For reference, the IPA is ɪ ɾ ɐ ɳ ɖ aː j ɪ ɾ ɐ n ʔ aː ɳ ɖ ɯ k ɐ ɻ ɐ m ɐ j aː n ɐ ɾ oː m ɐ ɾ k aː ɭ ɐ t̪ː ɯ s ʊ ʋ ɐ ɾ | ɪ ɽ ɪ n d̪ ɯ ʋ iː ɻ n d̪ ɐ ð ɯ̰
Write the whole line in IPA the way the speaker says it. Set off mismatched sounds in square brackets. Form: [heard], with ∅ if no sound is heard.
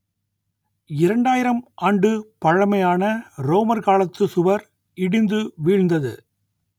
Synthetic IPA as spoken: ɪ ɾ ɐ ɳ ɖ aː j ɪ ɾ ɐ [m] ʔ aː ɳ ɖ ɯ [p] ɐ ɻ ɐ m ɐ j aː n ɐ ɾ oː m ɐ ɾ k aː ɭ ɐ t̪ː ɯ s ʊ ʋ ɐ ɾ | ɪ ɽ ɪ n d̪ ɯ ʋ iː ɻ n d̪ ɐ ð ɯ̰